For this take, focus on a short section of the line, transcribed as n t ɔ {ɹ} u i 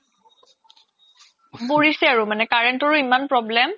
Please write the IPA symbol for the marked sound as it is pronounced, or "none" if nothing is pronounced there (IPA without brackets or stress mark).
ɹ